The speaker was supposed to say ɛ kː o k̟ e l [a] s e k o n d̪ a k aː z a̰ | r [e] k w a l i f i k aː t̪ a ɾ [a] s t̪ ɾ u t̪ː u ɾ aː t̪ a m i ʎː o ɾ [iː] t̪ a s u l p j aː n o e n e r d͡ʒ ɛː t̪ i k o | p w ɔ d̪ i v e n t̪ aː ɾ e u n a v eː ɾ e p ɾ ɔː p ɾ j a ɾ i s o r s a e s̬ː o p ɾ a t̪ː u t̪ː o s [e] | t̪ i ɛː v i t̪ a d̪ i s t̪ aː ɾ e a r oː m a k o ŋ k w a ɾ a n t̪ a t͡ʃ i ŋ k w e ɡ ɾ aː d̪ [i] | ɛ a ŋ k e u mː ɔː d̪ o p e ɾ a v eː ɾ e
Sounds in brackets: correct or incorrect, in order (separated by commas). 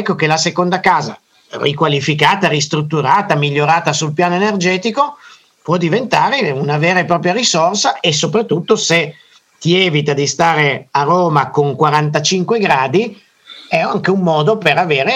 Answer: correct, incorrect, incorrect, incorrect, correct, correct